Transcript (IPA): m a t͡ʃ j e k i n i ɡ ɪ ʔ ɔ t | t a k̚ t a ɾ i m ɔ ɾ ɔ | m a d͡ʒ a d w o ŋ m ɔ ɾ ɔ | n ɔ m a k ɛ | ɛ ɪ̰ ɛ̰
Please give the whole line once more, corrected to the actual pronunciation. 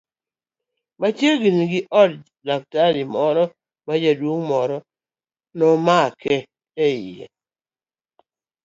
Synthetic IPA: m a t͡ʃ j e ɡ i n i ɡ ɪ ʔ ɔ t | d a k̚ t a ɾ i m ɔ ɾ ɔ | m a d͡ʒ a d w o ŋ m ɔ ɾ ɔ | n ɔ m a k ɛ | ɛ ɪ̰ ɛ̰